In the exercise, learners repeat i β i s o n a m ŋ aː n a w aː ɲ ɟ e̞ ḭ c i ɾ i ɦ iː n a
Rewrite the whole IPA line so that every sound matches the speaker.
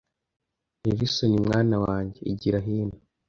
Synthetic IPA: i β i s o n i m ŋ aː n a w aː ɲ ɟ e̞ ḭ ɟ i ɾ a ɦ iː n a